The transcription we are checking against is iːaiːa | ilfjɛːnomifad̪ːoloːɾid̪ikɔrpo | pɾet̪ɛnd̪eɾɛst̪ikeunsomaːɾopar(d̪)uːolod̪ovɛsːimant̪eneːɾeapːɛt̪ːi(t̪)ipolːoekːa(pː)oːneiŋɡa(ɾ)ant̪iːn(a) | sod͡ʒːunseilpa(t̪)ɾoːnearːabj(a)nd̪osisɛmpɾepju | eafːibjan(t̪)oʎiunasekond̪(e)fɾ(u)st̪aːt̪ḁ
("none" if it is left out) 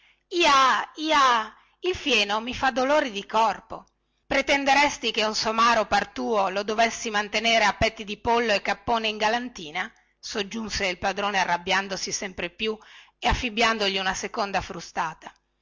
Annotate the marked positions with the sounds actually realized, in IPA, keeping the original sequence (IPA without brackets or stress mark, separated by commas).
t̪, d̪, pː, l, a, d̪, a, d̪, a, u